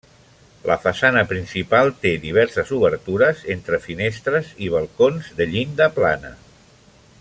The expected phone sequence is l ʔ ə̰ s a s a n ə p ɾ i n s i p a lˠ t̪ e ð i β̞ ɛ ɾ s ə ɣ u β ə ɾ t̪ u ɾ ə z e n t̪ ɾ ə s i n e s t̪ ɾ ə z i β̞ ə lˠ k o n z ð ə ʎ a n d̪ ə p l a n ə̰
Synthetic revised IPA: l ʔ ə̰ f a s a n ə p ɾ i n s i p a lˠ t̪ e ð i β̞ ɛ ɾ s ə z u β ə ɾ t̪ u ɾ ə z e n t̪ ɾ ə f i n e s t̪ ɾ ə z i β̞ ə lˠ k o n z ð ə ʎ i n d̪ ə p l a n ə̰